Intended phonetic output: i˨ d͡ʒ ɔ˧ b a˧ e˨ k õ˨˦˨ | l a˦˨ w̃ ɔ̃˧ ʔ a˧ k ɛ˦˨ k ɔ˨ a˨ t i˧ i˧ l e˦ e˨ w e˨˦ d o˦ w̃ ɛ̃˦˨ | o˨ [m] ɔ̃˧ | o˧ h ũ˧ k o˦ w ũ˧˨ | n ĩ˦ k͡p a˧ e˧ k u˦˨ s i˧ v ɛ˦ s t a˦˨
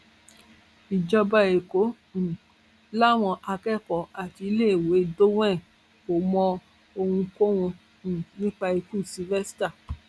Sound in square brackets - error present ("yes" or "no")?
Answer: no